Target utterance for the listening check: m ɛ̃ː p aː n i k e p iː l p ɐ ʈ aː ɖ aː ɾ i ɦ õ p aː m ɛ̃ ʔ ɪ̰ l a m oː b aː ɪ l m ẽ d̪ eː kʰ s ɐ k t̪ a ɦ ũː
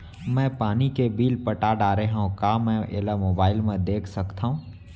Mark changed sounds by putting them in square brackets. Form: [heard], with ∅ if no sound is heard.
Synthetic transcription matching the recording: m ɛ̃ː p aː n i k e [b] iː l p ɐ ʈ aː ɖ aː ɾ [e] ɦ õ [k] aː m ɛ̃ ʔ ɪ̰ l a m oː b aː ɪ l m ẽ d̪ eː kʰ s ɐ k t̪ a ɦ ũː